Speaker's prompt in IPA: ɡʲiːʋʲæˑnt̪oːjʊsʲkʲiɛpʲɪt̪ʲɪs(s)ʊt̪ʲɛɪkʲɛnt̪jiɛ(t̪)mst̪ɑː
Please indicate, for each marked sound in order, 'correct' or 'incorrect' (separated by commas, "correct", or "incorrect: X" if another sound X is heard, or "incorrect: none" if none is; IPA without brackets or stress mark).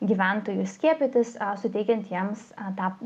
correct, incorrect: none